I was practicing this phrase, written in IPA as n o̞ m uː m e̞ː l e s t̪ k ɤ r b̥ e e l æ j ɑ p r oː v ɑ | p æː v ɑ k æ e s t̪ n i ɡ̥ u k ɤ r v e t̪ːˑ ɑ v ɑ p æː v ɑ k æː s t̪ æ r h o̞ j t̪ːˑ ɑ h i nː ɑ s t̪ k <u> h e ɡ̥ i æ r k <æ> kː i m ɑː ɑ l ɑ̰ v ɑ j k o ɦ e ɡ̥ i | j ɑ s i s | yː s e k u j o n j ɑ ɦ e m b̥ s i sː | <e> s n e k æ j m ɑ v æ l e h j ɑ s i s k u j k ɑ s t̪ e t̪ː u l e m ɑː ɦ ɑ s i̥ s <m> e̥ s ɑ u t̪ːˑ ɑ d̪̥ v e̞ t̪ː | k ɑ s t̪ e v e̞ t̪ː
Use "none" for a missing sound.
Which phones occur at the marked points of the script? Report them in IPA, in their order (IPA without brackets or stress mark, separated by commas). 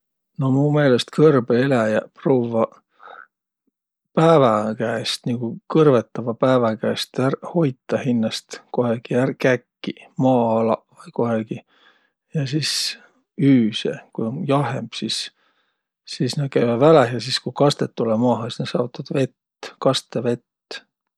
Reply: o, æ, i, n